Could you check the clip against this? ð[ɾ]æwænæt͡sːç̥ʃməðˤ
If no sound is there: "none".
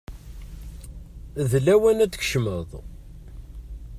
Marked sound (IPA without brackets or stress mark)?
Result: l